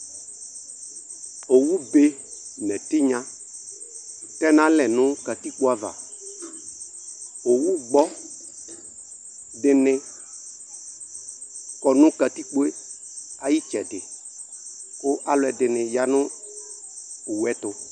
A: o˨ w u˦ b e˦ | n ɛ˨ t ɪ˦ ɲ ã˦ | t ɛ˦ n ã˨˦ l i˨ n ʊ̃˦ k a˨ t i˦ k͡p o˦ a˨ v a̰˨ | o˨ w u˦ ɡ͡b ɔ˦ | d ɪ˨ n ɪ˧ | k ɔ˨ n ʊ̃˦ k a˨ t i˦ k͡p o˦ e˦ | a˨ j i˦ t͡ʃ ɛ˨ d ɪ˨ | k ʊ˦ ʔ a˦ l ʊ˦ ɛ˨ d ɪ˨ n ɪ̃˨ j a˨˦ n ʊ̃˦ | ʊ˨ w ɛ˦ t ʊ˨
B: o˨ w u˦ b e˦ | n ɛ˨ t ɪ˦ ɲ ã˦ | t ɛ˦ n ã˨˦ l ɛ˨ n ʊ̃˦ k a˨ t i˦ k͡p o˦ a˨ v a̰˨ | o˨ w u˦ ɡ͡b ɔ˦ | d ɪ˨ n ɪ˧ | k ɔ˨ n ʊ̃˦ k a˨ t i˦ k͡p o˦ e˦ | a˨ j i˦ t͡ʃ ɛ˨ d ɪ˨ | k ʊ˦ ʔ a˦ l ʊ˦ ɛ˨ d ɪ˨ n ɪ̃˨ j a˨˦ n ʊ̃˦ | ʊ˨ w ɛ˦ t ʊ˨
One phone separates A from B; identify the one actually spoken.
B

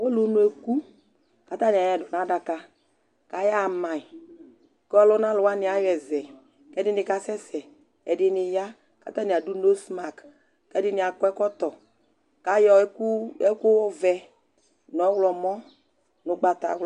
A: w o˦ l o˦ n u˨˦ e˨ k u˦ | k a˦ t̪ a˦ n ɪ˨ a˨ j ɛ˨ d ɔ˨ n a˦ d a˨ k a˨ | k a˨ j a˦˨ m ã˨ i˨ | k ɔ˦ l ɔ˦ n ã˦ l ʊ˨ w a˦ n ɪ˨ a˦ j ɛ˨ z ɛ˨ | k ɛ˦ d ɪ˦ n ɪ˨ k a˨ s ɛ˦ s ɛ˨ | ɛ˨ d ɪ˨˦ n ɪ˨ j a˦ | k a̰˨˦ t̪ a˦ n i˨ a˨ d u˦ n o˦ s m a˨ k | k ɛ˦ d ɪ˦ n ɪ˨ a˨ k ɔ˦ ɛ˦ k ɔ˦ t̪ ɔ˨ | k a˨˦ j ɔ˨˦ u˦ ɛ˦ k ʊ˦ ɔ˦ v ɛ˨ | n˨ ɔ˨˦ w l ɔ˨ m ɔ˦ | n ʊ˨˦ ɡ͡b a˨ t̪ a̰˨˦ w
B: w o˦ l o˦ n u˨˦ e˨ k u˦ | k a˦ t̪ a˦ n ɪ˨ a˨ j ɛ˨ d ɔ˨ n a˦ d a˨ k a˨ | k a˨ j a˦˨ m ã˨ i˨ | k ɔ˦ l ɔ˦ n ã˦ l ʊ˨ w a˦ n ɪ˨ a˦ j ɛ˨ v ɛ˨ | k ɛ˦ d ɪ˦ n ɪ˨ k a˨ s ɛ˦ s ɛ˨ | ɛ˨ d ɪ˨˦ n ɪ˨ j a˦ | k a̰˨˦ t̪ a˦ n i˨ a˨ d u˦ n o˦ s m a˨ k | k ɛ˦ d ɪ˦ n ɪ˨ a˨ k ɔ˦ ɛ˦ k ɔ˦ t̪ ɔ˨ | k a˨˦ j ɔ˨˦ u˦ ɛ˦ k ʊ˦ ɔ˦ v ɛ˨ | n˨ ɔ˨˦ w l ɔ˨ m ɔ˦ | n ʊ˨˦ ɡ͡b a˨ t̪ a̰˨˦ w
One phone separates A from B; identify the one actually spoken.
A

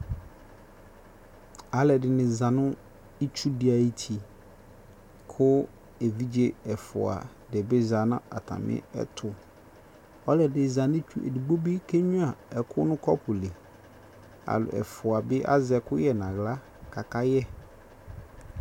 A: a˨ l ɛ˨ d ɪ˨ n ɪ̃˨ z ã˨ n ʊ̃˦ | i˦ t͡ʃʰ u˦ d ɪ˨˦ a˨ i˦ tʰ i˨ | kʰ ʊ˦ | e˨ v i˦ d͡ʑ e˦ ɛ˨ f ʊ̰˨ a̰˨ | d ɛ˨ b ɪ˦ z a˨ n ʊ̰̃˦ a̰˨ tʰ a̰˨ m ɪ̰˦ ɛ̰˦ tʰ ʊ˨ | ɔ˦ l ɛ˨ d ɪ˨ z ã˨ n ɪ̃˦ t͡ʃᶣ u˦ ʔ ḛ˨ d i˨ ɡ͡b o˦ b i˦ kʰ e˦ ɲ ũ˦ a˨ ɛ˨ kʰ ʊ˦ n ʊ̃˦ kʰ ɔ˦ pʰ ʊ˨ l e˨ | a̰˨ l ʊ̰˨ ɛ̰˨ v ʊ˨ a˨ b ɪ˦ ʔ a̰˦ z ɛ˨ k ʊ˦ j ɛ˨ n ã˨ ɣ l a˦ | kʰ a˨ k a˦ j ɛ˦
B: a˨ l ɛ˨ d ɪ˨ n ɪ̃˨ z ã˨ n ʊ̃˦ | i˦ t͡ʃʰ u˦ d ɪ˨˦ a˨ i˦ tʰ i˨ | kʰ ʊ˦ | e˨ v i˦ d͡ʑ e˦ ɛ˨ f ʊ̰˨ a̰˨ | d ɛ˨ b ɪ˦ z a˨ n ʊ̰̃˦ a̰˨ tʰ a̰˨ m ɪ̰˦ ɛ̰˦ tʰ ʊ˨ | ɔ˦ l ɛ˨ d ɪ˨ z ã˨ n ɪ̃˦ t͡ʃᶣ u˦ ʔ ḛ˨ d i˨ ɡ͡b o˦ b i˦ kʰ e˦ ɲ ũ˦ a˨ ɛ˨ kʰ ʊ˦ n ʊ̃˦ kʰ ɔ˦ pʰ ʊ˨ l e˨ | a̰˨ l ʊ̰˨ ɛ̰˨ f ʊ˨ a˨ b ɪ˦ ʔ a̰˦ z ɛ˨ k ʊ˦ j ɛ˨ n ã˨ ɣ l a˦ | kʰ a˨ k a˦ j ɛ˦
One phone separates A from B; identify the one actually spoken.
B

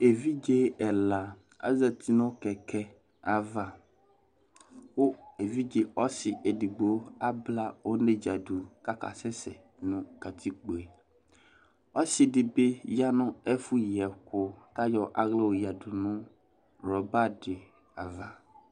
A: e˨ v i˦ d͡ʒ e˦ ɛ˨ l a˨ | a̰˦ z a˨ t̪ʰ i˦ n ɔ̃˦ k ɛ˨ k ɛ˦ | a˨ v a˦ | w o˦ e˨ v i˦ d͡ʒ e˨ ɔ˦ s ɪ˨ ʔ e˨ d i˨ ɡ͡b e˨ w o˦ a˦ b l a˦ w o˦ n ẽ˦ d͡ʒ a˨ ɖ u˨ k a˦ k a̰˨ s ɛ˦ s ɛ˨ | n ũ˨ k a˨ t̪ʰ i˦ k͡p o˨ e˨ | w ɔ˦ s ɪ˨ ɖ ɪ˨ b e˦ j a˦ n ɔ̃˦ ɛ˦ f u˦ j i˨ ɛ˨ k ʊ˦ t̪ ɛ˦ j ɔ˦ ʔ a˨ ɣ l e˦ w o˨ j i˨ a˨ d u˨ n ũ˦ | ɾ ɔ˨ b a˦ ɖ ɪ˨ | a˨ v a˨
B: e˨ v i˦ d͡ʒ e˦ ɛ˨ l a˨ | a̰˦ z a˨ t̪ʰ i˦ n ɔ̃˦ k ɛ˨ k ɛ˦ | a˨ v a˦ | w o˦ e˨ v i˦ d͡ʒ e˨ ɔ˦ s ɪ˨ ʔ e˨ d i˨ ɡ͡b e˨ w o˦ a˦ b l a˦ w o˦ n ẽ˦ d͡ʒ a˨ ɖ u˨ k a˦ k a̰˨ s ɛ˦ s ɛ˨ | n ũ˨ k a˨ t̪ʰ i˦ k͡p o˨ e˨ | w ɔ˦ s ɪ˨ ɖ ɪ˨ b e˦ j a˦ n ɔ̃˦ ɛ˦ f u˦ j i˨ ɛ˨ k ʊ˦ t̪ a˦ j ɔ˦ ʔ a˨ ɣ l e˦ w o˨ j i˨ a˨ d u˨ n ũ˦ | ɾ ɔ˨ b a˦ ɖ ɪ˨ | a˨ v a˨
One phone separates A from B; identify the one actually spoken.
B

